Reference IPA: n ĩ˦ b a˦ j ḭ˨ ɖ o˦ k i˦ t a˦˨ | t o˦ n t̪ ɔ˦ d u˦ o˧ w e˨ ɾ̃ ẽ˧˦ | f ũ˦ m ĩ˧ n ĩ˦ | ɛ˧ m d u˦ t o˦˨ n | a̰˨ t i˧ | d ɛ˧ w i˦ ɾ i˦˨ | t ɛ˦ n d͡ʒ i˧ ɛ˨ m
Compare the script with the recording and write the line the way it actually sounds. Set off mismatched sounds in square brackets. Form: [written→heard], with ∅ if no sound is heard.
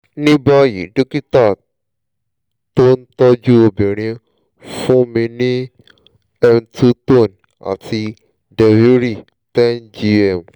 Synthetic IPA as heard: n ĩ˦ b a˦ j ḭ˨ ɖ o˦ k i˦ t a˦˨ | t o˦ n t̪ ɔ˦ [d→d͡ʒ] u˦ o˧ [w→b] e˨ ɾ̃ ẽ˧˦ | f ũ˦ m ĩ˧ n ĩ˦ | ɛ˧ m [d→t] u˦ t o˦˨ n | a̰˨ t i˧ | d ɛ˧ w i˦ ɾ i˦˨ | t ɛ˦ n d͡ʒ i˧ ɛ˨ m